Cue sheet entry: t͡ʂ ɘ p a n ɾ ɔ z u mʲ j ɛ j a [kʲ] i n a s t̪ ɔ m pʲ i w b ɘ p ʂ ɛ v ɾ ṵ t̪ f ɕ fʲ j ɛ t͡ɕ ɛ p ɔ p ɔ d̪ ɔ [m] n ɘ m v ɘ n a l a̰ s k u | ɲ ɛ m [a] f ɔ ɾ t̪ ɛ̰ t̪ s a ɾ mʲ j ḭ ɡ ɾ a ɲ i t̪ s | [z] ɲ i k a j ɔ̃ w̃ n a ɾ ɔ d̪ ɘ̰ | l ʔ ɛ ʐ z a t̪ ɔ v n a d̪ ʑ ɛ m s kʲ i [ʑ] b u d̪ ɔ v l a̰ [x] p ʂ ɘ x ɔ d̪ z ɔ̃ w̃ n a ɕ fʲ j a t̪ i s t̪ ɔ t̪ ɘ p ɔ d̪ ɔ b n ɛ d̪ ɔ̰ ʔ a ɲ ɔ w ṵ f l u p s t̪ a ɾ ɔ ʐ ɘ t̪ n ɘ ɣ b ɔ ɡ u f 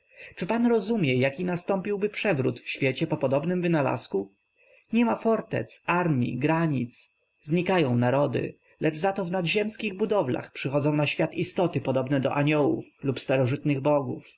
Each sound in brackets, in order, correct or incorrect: correct, incorrect: b, correct, correct, incorrect: ɣ, correct

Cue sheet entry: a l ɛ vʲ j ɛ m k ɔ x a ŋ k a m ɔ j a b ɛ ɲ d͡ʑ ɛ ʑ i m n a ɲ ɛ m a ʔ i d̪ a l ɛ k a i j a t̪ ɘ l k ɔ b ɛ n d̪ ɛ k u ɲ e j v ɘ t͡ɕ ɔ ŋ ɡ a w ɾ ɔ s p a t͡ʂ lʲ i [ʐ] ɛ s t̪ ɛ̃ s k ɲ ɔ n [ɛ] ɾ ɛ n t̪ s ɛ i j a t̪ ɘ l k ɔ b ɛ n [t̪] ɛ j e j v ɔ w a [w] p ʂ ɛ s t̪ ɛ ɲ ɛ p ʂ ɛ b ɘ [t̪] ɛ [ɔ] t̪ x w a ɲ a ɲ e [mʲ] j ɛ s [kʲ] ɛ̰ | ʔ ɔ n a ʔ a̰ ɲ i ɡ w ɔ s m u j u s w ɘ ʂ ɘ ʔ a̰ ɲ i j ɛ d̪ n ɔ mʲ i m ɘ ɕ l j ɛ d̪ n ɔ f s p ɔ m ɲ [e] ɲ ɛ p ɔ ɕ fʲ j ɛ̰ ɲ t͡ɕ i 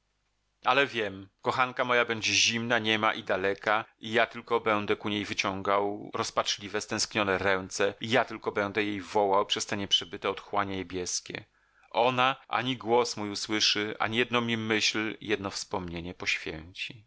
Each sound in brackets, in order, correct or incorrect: incorrect: v, correct, incorrect: d̪, correct, correct, correct, incorrect: bʲ, correct, correct

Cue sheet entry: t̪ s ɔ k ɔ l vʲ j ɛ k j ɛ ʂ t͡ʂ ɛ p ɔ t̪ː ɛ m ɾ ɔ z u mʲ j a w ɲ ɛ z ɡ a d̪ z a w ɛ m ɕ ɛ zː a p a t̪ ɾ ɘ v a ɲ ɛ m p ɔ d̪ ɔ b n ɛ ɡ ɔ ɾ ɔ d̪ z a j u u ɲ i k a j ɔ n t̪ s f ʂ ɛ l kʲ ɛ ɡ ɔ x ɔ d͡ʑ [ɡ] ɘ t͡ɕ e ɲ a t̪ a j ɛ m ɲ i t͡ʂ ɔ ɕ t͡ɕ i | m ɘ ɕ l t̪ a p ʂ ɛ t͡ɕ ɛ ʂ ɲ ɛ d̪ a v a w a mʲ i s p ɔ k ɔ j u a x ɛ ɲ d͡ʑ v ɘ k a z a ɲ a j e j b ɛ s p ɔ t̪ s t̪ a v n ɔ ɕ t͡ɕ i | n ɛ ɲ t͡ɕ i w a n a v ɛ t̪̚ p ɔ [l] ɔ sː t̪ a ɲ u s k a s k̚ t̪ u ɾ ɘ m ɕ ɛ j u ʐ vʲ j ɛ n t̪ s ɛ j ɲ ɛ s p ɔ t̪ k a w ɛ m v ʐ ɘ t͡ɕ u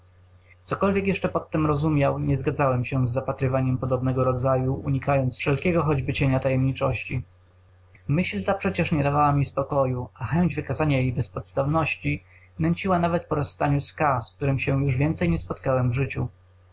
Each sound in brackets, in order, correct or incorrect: incorrect: b, incorrect: ɾ

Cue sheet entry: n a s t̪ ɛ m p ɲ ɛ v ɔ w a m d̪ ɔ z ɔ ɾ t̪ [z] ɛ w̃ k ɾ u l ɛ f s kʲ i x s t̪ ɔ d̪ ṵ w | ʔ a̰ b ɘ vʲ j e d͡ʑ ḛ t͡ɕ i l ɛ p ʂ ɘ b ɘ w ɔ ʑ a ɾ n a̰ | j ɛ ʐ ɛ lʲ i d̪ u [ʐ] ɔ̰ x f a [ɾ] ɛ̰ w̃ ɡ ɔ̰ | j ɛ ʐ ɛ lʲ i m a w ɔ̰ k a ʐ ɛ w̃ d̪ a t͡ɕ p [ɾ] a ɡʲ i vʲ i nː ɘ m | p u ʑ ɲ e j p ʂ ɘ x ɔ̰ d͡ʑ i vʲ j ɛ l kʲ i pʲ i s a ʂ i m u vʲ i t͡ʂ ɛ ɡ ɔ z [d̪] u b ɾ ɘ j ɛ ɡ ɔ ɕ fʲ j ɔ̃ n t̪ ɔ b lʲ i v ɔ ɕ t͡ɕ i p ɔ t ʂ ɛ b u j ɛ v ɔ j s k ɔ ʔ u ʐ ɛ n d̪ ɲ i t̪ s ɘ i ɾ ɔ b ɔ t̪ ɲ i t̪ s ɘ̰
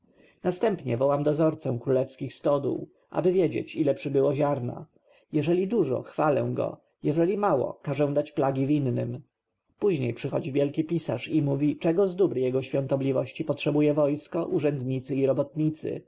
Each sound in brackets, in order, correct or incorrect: incorrect: s, correct, incorrect: l, incorrect: l, correct

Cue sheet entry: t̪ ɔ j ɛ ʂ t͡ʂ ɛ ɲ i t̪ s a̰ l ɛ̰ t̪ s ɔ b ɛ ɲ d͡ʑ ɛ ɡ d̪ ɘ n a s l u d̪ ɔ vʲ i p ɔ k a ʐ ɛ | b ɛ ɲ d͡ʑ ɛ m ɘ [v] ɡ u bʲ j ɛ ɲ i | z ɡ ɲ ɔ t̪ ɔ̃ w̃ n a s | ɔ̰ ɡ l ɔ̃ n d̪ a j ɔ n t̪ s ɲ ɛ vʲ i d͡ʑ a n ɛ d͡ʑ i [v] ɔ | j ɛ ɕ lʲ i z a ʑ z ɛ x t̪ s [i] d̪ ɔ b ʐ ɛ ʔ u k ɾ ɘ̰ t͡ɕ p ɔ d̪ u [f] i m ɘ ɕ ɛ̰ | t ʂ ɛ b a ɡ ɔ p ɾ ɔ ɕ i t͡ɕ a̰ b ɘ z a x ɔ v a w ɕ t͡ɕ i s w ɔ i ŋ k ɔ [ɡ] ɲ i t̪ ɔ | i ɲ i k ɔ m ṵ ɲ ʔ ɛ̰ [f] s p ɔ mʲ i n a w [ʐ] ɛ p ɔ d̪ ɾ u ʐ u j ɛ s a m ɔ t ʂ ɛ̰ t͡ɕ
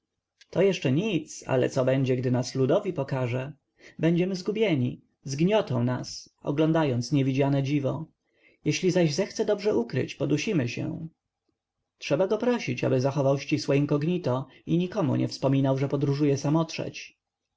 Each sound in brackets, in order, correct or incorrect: incorrect: z, correct, incorrect: ɛ, incorrect: ɕ, correct, correct, correct

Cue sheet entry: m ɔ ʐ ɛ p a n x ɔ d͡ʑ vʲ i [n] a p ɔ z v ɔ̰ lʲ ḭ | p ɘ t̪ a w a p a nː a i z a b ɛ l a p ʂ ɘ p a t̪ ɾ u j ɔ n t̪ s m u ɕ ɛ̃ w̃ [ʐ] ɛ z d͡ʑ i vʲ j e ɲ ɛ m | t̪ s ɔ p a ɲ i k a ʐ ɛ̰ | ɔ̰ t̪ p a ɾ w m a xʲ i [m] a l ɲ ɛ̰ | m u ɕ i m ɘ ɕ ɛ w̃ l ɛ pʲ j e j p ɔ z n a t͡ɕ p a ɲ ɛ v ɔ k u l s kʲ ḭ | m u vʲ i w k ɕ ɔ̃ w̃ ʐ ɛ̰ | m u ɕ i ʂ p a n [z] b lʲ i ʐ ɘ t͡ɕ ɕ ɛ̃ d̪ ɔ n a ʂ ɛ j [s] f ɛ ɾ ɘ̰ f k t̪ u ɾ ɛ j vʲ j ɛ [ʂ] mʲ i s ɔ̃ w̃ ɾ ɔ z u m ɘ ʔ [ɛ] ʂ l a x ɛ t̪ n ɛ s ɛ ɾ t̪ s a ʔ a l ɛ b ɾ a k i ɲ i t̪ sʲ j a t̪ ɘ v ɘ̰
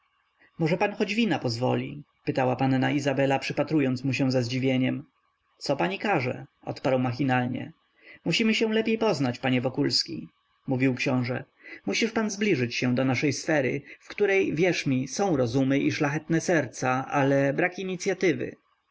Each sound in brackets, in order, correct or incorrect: correct, incorrect: z, incorrect: n, correct, correct, correct, incorrect: i

